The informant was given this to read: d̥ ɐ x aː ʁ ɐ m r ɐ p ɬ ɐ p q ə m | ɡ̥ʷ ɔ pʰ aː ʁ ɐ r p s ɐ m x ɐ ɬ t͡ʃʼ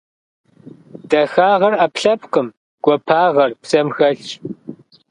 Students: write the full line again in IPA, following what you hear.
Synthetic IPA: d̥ ɐ x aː ʁ ɐ r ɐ p ɬ ɐ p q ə m | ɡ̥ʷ ɔ pʰ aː ʁ ɐ r p s ɐ m x ɐ ɬ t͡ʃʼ

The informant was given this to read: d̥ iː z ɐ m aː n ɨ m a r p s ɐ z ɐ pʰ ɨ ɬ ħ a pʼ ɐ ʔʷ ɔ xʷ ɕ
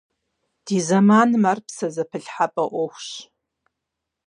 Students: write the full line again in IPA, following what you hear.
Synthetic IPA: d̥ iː z ɐ m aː n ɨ m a r p s ɐ z ɐ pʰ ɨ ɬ ħ a pʼ ɐ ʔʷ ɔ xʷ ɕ

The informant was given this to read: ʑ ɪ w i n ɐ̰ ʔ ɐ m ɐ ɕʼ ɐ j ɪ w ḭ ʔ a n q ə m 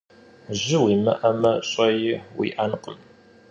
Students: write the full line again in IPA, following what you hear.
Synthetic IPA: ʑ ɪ w i m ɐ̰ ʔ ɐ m ɐ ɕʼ ɐ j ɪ w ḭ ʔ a n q ə m

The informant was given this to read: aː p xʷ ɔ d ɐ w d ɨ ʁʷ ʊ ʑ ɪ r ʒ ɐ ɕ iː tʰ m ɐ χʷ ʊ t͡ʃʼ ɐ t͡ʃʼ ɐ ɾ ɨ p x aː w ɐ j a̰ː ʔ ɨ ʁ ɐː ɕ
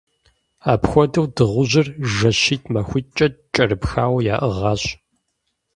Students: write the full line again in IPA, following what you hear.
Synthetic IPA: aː p xʷ ɔ d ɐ w d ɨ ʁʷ ʊ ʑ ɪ r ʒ ɐ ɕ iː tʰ m ɐ xʷ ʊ t͡ʃʼ ɐ t͡ʃʼ ɐ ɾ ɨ p x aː w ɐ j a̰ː ʔ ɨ ʁ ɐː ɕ

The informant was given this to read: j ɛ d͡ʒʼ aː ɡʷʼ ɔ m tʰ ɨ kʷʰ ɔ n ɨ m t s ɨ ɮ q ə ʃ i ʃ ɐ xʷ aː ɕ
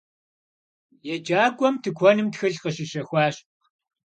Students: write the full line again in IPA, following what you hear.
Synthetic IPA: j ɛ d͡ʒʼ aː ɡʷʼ ɔ m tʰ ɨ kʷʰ ɔ n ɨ m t x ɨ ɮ q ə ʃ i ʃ ɐ xʷ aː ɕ

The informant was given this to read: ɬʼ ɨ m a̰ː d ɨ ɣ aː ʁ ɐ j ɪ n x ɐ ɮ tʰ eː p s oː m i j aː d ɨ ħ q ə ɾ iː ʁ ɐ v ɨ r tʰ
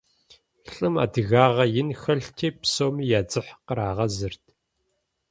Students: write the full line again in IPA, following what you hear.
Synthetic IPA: ɬʼ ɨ m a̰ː d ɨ ɣ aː ʁ ɐ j ɪ n x ɐ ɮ tʰ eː p s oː m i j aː d͡z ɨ ħ q ə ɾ aː ʁ ɐ z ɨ r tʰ

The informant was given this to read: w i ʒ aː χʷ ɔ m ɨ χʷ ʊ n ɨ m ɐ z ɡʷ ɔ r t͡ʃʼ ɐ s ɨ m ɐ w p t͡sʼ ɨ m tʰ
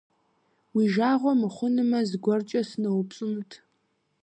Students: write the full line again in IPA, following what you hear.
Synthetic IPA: w i ʒ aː ʁʷ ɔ m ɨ χʷ ʊ n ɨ m ɐ z ɡʷ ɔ r t͡ʃʼ ɐ s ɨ n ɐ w p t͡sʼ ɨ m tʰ

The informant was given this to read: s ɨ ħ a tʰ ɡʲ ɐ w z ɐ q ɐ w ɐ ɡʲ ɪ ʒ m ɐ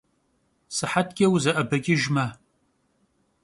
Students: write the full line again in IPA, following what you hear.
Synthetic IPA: s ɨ ħ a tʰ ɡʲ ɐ w z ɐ ʔ ɐ b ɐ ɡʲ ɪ ʒ m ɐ

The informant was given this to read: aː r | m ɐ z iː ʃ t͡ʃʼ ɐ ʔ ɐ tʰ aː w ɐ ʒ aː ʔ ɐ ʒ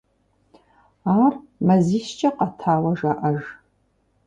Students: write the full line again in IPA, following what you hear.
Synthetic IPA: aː r | m ɐ z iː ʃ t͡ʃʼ ɐ q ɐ tʰ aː w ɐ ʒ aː ʔ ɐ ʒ

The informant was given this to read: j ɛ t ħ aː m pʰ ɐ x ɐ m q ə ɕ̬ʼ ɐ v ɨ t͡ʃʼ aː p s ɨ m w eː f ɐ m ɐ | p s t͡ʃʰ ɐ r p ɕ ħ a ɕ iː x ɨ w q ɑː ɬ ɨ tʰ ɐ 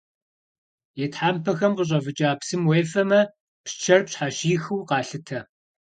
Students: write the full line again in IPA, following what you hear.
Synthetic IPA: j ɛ t ħ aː m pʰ ɐ x ɐ m q ə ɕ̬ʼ ɐ v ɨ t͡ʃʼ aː p s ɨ m w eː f ɐ m ɐ | p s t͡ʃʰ ɐ r p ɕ ħ a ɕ iː x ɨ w q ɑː ɬ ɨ tʰ ɐ

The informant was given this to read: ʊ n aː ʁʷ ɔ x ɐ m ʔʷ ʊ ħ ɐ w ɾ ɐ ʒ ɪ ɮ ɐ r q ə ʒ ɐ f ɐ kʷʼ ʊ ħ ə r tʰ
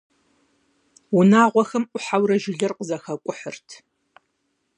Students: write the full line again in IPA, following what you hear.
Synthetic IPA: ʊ n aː ʁʷ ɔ x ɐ m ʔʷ ʊ ħ a w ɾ ɐ ʒ ɪ ɮ ɐ r q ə z ɐ x ɐ kʷʼ ʊ ħ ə r tʰ

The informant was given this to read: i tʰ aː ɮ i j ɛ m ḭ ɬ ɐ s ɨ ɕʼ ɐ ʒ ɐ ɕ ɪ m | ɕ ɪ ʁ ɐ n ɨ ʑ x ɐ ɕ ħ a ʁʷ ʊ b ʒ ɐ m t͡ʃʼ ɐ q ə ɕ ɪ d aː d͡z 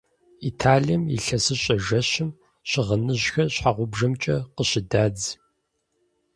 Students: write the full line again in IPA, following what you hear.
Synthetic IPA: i tʰ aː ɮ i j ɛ m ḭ ɬ ɐ s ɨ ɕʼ ɐ ʒ ɐ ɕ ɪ m | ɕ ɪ ʁ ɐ n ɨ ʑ x ɐ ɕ ħ a ʁʷ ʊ b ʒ ɐ m t͡ʃʼ ɐ q ə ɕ ɪ d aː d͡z

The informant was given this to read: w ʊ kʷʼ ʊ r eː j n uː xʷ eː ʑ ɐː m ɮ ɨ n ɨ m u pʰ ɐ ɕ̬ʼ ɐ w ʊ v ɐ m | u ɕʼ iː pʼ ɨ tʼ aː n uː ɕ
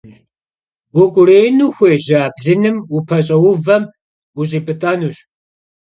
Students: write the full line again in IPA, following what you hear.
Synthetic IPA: w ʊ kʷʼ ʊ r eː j n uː xʷ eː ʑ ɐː b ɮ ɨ n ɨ m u pʰ ɐ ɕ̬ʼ ɐ w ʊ v ɐ m | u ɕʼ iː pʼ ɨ tʼ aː n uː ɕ

